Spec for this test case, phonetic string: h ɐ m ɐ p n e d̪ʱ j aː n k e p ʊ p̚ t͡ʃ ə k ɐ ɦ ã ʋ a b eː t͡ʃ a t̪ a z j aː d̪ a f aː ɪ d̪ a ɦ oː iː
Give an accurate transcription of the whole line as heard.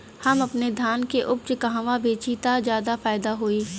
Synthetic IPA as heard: h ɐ m ɐ p n e d̪ʱ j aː n k e ʔ ʊ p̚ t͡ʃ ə k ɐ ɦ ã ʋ a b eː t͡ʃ i t̪ a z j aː d̪ a f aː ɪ d̪ a ɦ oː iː